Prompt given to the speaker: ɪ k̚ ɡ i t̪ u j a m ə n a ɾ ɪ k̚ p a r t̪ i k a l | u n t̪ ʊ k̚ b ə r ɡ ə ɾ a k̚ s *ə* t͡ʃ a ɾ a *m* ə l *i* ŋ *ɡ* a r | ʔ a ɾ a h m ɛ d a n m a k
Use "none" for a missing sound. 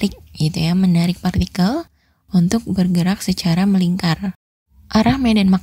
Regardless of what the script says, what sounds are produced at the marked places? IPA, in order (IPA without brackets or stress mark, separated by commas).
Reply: ə, m, i, k